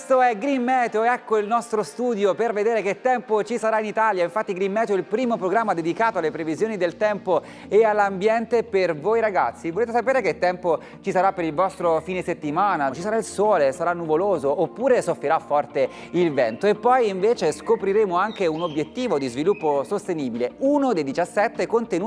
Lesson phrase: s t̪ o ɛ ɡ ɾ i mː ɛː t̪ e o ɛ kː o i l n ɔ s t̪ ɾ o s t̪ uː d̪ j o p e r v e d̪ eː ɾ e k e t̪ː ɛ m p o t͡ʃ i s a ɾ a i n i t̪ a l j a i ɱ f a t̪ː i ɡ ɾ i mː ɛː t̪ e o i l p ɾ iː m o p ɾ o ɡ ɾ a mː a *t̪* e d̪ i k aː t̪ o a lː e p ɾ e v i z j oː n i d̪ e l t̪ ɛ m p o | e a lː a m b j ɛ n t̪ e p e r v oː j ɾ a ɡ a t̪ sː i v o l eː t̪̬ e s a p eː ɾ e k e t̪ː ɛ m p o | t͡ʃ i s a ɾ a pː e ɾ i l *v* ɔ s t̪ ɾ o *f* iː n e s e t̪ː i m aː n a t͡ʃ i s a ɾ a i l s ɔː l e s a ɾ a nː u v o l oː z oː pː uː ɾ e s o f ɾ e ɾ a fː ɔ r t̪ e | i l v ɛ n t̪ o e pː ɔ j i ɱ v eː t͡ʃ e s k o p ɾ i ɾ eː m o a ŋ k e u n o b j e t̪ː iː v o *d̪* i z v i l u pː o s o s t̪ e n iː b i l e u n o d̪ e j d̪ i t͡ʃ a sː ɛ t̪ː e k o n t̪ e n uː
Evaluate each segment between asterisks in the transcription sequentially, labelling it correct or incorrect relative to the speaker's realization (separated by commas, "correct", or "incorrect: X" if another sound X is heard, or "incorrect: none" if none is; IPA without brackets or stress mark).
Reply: incorrect: d̪, correct, correct, correct